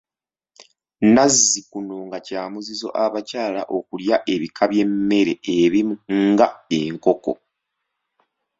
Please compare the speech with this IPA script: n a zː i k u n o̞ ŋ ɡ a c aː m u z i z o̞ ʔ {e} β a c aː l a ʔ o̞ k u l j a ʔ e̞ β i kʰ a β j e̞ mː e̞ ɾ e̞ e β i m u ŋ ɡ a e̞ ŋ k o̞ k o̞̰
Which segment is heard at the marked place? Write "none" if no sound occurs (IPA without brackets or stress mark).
a